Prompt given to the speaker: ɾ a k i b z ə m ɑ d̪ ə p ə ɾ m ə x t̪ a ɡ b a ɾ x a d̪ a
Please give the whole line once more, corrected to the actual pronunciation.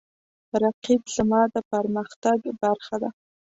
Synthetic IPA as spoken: ɾ a q i b z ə m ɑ d̪ ə p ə ɾ m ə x t̪ a ɡ b a ɾ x a d̪ a